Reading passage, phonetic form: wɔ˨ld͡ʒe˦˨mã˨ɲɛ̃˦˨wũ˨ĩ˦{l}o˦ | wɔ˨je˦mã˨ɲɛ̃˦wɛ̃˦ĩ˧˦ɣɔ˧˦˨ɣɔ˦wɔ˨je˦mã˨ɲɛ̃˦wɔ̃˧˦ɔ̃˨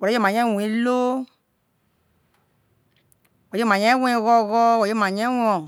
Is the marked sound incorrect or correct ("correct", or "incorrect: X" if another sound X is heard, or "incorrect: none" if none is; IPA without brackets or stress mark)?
correct